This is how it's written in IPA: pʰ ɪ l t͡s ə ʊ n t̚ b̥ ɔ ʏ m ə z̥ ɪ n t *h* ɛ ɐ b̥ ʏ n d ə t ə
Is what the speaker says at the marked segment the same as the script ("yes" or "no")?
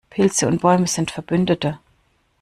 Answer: no